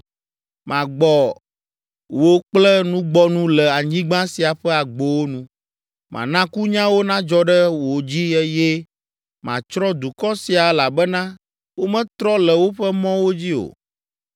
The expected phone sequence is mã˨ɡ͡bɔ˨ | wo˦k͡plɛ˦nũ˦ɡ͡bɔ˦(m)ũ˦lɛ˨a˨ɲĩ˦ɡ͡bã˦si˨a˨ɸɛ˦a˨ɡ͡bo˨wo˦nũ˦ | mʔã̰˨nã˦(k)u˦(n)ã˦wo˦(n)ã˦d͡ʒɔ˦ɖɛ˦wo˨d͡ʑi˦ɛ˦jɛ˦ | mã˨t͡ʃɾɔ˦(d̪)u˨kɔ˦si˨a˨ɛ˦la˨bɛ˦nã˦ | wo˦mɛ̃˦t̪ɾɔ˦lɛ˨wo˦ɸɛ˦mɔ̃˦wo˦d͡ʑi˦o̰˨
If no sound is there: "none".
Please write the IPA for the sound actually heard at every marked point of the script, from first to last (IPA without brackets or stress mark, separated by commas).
n, k, ɲ, n, d̪